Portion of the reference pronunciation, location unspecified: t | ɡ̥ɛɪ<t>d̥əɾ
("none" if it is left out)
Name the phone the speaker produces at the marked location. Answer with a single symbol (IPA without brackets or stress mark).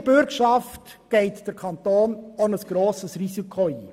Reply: t